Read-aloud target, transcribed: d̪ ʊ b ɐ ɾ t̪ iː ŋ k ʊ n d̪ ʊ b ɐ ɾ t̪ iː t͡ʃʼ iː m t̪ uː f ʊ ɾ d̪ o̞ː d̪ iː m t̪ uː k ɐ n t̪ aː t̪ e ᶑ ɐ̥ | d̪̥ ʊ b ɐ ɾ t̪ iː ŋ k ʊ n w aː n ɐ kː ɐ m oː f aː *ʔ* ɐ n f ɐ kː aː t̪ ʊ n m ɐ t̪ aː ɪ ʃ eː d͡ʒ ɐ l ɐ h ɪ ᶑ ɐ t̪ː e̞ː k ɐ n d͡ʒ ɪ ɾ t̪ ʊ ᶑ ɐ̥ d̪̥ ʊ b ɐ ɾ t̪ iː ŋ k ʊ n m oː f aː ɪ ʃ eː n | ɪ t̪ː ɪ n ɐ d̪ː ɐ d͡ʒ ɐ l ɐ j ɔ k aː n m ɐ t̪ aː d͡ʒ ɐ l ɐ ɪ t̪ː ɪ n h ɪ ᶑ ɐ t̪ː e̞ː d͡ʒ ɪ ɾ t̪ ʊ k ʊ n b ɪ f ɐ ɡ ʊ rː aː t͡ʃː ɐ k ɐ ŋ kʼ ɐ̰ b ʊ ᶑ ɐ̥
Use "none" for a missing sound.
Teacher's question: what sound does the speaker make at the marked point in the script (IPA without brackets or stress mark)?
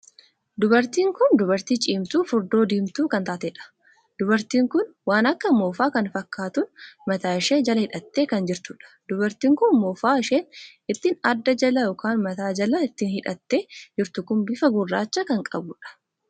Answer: k